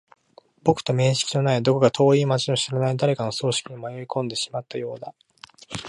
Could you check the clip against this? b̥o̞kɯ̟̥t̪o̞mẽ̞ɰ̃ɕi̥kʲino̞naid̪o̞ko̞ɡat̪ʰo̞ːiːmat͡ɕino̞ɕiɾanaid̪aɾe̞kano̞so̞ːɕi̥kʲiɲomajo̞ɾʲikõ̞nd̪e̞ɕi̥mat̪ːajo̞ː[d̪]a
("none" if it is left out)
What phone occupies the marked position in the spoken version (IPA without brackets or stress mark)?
d̪